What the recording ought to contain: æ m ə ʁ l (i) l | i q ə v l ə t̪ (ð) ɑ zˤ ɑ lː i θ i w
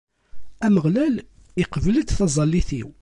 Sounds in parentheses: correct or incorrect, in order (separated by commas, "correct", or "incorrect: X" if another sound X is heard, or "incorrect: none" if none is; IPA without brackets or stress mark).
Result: incorrect: æ, incorrect: θ